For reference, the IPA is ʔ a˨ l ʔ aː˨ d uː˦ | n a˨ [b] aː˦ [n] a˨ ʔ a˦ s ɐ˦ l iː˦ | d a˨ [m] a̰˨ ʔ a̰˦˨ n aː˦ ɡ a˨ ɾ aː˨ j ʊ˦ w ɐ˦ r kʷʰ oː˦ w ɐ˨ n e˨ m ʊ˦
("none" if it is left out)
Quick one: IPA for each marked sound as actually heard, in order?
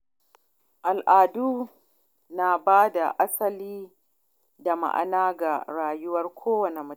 b, d, m

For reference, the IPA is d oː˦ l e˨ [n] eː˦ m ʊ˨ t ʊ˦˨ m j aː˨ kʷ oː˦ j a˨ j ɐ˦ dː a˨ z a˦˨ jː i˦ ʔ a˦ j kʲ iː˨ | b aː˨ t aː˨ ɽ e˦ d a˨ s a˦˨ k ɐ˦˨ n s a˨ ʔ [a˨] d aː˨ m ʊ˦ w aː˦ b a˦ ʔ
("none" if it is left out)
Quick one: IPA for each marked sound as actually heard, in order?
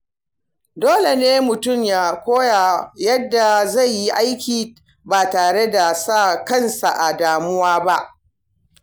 n, a˨

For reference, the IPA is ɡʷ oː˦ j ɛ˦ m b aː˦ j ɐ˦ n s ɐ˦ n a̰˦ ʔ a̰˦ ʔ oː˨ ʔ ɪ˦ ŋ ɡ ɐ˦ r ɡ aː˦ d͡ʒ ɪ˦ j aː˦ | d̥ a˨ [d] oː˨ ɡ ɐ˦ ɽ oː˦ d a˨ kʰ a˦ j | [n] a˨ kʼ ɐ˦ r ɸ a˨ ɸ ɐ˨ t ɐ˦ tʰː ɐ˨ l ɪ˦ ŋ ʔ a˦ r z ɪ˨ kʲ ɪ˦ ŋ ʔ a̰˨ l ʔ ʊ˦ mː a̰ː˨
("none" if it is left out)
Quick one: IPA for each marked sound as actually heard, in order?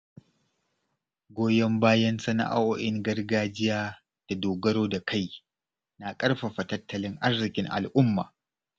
d, n

